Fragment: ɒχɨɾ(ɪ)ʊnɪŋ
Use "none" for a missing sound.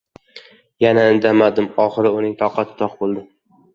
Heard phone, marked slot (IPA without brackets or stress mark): ɪ